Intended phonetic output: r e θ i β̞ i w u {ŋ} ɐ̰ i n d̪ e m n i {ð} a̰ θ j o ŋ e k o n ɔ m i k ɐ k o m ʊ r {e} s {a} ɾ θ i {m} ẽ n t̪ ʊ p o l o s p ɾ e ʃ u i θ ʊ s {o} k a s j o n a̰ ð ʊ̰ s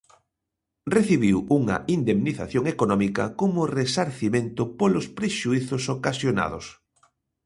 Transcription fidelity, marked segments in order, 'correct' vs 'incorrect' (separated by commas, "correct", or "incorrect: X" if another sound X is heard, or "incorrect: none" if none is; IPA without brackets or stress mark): correct, incorrect: θ, correct, correct, correct, correct